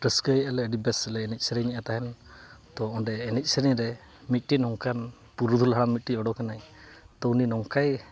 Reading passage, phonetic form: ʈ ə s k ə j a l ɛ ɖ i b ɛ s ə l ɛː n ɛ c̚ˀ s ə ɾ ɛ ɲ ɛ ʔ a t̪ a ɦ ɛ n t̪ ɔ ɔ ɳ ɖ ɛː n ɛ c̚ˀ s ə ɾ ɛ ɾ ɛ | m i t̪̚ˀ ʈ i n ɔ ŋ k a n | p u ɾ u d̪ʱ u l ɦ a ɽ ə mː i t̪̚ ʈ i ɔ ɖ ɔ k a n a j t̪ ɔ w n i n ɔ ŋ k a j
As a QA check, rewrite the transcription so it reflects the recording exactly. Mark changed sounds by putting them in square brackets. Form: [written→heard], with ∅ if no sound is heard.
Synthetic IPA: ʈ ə s k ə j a l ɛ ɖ i b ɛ s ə l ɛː n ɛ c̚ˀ s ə ɾ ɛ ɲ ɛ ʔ a t̪ a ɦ ɛ n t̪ ɔ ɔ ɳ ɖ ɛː n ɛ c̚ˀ s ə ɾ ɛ ɾ ɛ | m i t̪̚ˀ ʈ i n ɔ ŋ k a n | p u ɾ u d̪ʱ u l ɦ a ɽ [ə→a] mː i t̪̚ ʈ i ɔ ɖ ɔ k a n a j t̪ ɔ w n i n ɔ ŋ k a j